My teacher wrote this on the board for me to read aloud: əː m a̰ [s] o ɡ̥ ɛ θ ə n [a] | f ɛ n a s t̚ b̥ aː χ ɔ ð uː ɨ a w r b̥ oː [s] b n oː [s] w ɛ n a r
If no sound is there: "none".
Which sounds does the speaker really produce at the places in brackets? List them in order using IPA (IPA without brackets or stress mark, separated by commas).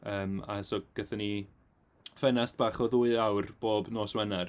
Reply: s, i, none, s